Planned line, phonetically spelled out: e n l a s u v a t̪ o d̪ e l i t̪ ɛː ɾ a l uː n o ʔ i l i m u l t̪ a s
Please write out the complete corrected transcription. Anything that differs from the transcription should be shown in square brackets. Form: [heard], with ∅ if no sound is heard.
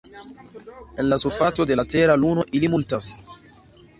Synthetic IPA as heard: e n l a s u [f] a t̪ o d̪ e l [a] t̪ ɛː ɾ a l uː n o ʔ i l i m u l t̪ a s